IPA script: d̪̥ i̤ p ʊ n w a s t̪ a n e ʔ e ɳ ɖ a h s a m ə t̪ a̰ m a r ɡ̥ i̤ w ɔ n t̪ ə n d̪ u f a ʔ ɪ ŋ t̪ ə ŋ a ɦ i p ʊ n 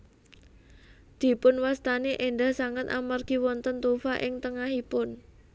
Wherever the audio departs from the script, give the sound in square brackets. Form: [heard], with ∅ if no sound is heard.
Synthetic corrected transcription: d̪̥ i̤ p ʊ n w a s t̪ a n e ʔ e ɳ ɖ a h s a [ŋ] ə t̪ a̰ m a r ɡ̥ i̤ w ɔ n t̪ ə n [t̪] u f a ʔ ɪ ŋ t̪ ə ŋ a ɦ i p ʊ n